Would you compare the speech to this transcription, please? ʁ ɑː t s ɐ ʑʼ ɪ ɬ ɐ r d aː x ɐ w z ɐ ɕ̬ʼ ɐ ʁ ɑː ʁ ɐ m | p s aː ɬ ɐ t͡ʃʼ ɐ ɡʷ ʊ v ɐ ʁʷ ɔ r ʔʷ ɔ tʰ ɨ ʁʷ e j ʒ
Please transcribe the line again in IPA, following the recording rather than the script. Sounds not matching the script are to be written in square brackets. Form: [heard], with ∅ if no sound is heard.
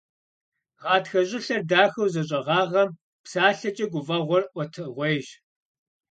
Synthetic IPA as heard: ʁ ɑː t [x] ɐ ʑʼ ɪ ɬ ɐ r d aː x ɐ w z ɐ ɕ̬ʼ ɐ ʁ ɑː ʁ ɐ m | p s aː ɬ ɐ t͡ʃʼ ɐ ɡʷ ʊ v ɐ ʁʷ ɔ r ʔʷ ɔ tʰ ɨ ʁʷ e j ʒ